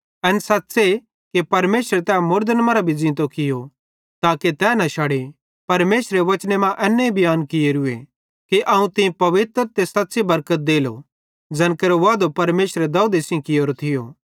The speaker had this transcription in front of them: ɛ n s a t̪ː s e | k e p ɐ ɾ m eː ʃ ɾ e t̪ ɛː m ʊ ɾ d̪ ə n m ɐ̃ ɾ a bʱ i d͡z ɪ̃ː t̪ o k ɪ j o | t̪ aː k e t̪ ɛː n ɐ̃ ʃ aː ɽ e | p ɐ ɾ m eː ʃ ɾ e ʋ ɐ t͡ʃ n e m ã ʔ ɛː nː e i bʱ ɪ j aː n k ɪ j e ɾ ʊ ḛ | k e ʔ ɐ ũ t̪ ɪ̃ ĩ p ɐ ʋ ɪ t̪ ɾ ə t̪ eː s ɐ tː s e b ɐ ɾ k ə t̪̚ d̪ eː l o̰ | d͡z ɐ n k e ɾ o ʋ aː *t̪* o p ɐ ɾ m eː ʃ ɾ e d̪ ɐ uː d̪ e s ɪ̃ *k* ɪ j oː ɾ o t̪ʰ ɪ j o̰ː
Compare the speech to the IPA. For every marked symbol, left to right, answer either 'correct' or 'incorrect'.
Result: incorrect, correct

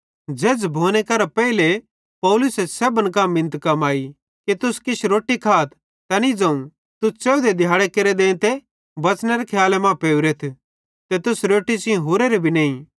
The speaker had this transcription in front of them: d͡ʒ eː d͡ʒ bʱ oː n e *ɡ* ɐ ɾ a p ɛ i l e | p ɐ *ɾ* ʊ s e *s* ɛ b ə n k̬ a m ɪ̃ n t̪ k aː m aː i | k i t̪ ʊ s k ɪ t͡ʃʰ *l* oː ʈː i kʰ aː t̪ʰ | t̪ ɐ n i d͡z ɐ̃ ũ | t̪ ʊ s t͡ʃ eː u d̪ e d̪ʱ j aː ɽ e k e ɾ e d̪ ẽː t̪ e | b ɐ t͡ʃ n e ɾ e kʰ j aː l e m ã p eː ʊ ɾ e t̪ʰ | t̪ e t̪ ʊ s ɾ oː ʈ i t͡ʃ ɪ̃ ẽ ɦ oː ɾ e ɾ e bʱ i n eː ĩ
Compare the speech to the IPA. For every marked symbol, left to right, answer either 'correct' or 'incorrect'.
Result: incorrect, incorrect, correct, incorrect

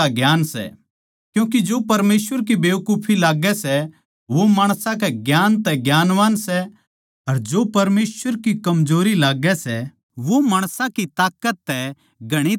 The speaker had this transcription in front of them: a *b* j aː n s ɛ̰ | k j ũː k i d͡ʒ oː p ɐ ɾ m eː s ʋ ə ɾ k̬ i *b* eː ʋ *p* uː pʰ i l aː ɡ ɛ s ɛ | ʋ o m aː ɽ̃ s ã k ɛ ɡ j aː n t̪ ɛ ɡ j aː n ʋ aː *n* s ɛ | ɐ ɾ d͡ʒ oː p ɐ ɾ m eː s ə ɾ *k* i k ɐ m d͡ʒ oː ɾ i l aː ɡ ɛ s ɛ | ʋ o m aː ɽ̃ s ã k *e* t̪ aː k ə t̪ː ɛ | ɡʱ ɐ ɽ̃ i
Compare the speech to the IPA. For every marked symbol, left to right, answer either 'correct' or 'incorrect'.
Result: incorrect, correct, incorrect, correct, correct, incorrect

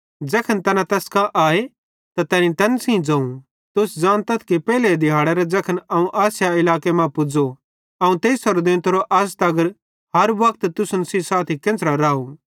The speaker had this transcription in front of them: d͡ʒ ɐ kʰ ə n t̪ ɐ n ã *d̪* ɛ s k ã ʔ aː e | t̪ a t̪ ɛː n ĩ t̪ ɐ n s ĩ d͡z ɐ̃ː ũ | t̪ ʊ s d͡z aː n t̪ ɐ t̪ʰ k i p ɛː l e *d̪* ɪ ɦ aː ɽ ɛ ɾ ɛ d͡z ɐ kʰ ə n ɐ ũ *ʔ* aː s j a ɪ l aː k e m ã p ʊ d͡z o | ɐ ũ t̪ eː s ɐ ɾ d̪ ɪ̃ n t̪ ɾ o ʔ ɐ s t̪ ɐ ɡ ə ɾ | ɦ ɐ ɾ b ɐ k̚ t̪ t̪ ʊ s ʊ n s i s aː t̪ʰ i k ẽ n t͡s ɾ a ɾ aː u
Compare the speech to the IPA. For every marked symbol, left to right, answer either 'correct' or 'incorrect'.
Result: incorrect, correct, correct

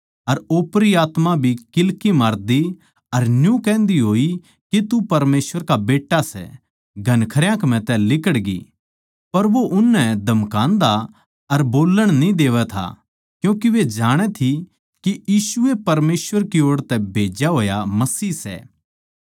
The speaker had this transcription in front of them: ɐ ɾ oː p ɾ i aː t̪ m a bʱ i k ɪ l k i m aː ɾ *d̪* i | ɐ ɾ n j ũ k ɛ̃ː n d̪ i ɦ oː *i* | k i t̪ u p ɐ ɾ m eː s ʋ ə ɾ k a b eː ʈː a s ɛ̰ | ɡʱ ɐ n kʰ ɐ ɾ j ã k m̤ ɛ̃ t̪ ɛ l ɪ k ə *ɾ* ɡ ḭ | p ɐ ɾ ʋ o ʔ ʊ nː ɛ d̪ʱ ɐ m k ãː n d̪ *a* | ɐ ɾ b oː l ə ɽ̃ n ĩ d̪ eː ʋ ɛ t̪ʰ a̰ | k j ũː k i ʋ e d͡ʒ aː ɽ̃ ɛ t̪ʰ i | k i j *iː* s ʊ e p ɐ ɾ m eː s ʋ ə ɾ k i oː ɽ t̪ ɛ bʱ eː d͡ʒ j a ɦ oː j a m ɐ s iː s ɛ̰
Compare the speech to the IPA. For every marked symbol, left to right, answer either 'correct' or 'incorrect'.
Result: correct, correct, incorrect, correct, correct

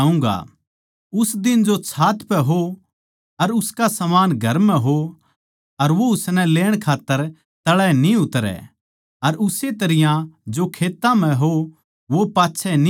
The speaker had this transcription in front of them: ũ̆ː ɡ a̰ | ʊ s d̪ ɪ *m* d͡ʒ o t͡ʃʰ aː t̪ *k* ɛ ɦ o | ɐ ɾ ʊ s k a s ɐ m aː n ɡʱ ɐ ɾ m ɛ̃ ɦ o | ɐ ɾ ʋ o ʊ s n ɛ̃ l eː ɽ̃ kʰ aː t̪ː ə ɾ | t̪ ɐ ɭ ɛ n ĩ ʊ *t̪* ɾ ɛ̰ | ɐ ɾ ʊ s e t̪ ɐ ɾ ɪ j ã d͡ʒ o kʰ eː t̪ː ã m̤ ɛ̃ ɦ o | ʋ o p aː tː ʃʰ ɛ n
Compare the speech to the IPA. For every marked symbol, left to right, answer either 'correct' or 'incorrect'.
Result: incorrect, incorrect, correct

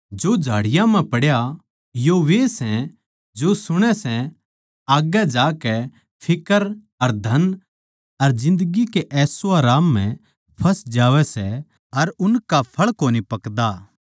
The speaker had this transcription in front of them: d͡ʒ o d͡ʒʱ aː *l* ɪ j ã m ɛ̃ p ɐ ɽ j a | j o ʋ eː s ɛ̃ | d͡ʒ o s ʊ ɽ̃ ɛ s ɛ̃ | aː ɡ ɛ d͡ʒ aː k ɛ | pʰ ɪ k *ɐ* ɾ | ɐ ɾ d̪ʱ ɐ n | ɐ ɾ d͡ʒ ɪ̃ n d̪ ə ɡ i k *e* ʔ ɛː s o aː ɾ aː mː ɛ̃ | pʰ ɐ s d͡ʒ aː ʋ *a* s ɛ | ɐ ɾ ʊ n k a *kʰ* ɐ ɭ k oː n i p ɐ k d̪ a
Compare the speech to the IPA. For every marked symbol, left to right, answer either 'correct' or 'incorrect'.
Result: incorrect, incorrect, correct, incorrect, incorrect

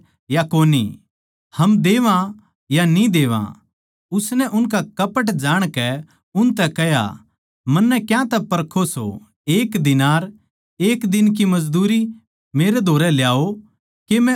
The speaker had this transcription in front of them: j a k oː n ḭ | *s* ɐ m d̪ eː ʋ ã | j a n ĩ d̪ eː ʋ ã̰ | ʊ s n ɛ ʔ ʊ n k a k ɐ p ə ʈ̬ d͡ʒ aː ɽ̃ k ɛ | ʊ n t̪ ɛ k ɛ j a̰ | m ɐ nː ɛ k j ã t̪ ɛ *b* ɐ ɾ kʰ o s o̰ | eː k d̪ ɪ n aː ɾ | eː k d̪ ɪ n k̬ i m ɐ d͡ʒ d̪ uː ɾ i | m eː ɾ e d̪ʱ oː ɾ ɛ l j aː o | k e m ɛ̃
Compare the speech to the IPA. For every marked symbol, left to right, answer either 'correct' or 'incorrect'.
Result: incorrect, incorrect

